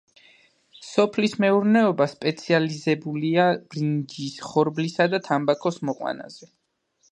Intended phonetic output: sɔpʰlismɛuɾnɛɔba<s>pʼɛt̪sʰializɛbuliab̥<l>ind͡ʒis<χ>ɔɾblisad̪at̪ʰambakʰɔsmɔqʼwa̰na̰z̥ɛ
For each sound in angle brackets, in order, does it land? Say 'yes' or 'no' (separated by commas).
yes, no, yes